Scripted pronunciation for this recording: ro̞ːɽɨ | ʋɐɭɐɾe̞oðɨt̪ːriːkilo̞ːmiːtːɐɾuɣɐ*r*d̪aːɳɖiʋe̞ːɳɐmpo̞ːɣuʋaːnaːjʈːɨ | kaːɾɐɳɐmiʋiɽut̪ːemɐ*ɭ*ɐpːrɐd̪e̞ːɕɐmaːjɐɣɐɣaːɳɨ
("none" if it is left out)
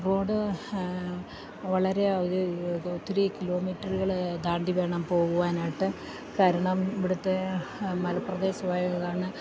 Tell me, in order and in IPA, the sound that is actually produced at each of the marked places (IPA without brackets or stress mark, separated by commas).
ɭ, l